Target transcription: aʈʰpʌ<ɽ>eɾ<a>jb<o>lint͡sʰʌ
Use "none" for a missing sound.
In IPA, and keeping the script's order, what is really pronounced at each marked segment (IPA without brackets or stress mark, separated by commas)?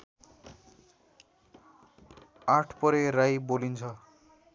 ɾ, a, o